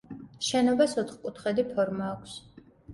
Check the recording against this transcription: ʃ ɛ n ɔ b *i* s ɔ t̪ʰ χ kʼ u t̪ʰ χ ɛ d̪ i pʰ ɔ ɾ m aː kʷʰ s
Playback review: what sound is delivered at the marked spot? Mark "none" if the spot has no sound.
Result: a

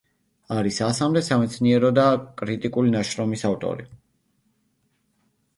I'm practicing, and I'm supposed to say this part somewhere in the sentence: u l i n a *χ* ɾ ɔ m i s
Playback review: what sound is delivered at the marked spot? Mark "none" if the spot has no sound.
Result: ʃ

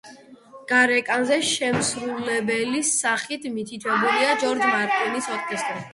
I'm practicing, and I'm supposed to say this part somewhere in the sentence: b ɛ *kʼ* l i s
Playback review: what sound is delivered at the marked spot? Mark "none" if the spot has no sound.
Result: none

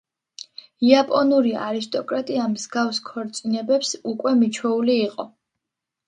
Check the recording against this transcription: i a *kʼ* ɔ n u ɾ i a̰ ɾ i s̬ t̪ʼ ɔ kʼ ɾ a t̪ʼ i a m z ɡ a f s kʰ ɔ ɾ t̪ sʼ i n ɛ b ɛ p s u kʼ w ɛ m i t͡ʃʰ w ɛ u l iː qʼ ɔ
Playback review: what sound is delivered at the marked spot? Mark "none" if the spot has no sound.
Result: pʼ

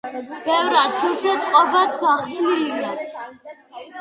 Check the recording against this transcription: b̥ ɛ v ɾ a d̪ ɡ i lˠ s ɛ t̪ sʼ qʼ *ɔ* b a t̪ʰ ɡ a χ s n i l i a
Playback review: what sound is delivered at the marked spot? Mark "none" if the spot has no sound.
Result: ɔ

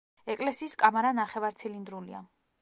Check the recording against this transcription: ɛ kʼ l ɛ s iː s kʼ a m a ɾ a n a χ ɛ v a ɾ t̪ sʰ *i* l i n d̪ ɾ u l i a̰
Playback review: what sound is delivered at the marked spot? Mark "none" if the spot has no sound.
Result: i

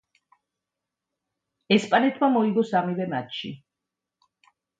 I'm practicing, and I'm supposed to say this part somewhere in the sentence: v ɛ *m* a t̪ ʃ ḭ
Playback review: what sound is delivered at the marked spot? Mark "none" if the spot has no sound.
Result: m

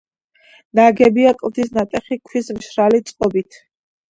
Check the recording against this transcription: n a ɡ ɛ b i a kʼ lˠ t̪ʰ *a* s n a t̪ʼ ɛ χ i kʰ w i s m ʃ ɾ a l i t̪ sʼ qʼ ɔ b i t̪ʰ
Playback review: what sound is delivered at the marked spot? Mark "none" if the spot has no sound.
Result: i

